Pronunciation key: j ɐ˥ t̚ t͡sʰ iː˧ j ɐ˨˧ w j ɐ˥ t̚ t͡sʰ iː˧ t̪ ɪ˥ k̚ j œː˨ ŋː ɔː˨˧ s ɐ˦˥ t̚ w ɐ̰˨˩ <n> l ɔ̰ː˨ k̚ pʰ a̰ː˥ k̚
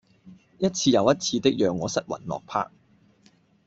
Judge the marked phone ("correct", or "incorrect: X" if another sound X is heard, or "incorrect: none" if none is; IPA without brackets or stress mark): correct